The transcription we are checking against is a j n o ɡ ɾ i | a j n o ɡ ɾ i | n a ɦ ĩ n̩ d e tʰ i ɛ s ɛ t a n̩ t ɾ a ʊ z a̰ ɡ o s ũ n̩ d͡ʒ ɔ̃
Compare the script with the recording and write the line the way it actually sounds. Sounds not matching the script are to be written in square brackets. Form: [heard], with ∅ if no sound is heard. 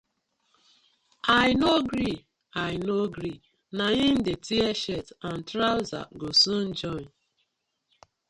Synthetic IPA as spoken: a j n o ɡ ɾ i | a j n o ɡ ɾ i | n a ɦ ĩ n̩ d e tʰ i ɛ [ʃ] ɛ t a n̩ t ɾ a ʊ z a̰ ɡ o s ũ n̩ d͡ʒ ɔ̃